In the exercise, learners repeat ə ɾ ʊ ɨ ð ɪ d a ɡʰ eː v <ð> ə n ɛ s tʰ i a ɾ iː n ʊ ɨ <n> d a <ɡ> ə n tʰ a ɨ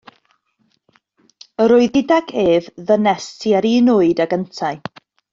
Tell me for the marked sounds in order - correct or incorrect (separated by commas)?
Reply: correct, incorrect, correct